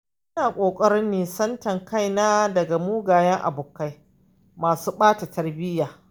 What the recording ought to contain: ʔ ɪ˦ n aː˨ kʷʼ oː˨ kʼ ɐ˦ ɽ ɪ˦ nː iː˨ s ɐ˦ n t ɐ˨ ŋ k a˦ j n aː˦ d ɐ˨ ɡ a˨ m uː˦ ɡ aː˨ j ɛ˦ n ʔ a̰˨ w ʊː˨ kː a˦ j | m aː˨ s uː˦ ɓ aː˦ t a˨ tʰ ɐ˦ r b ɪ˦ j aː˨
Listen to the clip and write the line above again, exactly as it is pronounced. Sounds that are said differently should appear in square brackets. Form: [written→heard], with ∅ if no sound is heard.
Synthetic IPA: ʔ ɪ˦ n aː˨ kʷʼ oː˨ kʼ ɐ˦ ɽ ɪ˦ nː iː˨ s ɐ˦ n t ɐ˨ ŋ k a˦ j n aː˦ d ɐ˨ ɡ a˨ m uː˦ ɡ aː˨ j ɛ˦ [n→ŋ] ʔ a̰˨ [w→b] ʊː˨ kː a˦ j | m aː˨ s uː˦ ɓ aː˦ t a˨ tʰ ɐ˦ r b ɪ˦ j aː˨

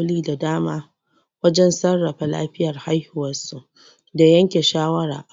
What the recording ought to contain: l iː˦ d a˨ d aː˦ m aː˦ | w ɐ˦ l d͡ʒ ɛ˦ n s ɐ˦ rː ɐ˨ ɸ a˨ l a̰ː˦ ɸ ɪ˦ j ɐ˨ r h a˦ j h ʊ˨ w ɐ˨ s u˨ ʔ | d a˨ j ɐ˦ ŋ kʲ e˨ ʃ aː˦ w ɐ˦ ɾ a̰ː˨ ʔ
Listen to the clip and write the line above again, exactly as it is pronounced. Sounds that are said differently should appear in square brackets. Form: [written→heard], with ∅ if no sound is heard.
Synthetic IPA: l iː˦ d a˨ d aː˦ m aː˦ | w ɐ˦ [l→∅] d͡ʒ ɛ˦ n s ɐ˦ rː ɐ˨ ɸ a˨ l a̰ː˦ ɸ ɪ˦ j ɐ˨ r h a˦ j h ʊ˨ w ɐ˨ s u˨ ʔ | d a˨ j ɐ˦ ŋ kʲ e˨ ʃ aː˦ w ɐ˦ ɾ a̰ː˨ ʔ

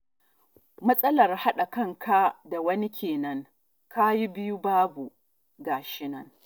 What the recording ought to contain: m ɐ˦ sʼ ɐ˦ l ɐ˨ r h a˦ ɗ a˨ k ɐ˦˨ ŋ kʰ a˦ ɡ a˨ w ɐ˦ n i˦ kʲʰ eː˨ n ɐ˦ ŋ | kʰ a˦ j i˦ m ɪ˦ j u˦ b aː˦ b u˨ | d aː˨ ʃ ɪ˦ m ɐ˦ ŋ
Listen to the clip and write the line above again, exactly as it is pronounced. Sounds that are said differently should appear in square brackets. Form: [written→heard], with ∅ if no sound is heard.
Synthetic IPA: m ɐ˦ sʼ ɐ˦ l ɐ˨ r h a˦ ɗ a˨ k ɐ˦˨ ŋ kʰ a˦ [ɡ→d] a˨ w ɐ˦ n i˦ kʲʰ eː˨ n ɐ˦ ŋ | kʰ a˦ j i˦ [m→b] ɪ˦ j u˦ b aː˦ b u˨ | [d→ɡ] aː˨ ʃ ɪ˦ [m→n] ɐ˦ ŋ

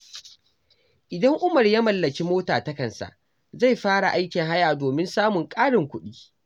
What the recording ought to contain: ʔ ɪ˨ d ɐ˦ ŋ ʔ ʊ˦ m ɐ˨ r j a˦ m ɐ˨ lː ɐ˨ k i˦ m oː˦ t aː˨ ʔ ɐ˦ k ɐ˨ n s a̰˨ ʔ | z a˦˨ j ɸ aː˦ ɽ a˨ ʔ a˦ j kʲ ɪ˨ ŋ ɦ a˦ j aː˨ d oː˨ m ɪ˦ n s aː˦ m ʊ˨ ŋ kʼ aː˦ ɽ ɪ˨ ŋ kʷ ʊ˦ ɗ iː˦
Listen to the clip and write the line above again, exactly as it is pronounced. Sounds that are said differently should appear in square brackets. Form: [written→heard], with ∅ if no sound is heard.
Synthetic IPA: ʔ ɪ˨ d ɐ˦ ŋ ʔ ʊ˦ m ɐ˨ r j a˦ m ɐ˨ lː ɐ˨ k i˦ m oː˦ t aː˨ [ʔ→t] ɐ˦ k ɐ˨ n s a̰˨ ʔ | z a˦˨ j ɸ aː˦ ɽ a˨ ʔ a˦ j kʲ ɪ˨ ŋ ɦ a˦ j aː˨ d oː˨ m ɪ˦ n s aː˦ m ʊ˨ ŋ kʼ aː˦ ɽ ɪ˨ ŋ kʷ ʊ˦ ɗ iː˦

